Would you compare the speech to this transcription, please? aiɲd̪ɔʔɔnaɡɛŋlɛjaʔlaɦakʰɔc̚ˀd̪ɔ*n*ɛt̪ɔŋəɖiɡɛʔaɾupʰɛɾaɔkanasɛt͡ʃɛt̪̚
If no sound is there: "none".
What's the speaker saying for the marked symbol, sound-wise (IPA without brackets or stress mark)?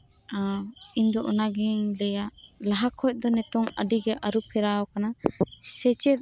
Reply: n